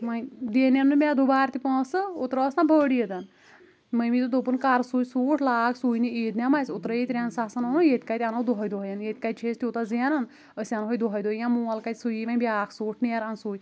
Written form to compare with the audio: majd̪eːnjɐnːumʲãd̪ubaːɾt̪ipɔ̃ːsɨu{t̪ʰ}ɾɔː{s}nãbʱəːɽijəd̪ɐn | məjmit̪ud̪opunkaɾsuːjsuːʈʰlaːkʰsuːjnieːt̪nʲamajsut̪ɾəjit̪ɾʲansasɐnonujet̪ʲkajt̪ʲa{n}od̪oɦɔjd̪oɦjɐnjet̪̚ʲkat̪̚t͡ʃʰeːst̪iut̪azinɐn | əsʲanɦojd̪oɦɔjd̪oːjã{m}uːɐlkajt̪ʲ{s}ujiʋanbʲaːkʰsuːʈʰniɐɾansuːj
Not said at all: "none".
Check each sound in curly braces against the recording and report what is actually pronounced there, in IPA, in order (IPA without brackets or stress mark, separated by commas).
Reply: t̪, s, n, m, s